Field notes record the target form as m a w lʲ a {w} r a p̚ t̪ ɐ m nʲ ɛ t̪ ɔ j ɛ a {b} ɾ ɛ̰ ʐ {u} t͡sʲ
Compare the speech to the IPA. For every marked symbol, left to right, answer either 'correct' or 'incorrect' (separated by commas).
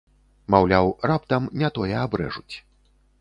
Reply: correct, correct, correct